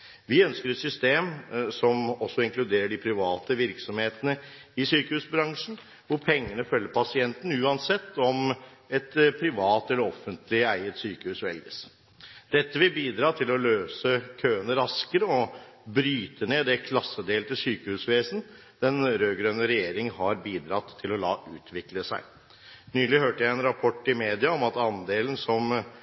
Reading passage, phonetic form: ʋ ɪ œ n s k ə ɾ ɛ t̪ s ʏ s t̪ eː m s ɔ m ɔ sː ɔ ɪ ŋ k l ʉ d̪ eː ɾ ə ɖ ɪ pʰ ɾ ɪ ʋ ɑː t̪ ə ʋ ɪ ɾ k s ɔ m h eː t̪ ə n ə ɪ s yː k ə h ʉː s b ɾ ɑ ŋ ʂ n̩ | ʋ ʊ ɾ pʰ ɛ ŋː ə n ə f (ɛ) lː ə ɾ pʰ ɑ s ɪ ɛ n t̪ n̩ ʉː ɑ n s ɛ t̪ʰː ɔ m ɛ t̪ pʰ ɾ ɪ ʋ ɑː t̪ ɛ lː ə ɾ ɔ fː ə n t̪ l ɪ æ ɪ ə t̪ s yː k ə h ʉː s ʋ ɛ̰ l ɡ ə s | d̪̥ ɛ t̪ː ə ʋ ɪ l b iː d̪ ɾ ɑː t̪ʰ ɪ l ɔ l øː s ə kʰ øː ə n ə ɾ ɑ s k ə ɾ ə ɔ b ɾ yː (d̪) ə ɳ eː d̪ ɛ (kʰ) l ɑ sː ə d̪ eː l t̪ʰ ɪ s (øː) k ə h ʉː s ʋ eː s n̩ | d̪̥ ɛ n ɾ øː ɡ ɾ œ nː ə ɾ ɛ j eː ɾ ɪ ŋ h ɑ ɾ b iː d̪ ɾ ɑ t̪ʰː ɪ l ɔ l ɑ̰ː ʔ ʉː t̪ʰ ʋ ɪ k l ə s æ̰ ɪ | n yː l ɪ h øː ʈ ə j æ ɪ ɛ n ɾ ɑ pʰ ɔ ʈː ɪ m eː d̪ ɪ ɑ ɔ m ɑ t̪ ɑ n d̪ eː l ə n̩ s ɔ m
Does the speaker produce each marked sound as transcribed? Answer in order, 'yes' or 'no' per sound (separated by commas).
no, no, yes, no